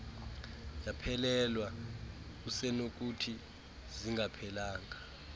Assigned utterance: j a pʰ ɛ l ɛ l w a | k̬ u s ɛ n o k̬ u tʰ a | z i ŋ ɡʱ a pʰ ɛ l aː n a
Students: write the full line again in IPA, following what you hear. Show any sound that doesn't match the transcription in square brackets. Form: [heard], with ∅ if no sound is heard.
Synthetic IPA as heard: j a pʰ ɛ l ɛ l w a | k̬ u s ɛ n o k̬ u tʰ [i] | z i ŋ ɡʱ a pʰ ɛ l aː [ŋ] a